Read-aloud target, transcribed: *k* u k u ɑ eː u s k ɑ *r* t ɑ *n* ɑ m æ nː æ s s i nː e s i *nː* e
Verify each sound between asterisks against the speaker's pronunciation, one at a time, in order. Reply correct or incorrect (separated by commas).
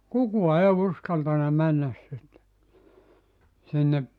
correct, incorrect, correct, correct